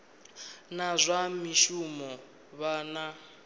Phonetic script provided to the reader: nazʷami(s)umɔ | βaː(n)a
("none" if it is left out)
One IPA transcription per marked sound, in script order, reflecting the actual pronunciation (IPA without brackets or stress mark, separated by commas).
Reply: ʃ, n